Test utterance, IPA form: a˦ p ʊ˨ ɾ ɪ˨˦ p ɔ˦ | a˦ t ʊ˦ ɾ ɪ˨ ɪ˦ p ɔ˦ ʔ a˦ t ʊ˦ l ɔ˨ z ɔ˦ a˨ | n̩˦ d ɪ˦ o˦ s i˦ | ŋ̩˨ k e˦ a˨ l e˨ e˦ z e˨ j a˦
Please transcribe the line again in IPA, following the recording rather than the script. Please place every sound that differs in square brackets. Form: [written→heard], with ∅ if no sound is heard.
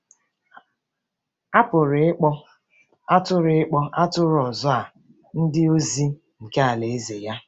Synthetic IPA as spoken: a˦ p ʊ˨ ɾ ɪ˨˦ [p→k͡p] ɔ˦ | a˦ t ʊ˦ ɾ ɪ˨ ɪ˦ [p→k͡p] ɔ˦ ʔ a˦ t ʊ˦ [l→ɾ] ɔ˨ z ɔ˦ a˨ | n̩˦ d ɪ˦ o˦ [s→z] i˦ | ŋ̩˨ k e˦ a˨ l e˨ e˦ z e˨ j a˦